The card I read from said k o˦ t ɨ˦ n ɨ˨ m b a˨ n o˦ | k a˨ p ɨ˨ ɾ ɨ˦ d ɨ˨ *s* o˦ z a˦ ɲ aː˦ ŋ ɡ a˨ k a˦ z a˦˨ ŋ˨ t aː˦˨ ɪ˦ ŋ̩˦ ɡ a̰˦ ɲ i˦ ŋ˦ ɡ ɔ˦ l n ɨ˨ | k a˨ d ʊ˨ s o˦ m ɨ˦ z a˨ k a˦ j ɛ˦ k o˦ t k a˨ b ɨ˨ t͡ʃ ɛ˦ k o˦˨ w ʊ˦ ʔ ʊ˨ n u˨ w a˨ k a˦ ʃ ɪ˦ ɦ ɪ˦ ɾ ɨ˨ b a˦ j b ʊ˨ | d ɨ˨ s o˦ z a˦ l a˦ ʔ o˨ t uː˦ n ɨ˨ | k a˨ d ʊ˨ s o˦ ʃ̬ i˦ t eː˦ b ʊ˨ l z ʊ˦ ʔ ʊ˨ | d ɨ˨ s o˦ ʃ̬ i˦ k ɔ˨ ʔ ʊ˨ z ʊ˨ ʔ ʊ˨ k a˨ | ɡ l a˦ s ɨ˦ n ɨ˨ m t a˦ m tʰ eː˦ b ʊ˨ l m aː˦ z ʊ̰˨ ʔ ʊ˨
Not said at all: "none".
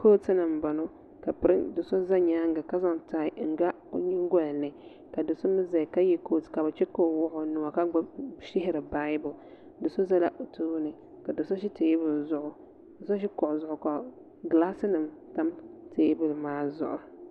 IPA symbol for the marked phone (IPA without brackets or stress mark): s